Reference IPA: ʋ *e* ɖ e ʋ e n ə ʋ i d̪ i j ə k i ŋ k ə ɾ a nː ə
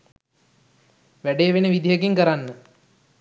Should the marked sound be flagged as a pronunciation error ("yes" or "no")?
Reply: yes